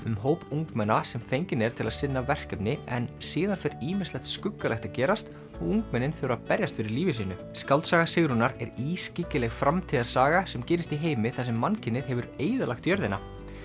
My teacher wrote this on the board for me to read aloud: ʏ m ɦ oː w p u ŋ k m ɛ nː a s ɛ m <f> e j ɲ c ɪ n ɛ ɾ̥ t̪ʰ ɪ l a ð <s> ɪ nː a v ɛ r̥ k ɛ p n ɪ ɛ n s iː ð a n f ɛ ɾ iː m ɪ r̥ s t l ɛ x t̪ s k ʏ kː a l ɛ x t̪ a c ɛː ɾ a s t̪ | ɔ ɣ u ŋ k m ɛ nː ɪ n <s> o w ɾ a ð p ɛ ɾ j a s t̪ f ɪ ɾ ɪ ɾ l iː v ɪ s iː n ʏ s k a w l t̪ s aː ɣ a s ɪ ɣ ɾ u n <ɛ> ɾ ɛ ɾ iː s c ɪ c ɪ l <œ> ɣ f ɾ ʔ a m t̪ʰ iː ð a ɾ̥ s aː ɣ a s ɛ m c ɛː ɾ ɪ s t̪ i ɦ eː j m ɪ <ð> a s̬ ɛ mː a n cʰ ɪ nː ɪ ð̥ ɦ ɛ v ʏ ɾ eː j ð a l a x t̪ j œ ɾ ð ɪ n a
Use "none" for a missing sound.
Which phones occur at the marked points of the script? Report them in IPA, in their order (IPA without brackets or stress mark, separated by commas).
f, s, θ, a, ɛ, θ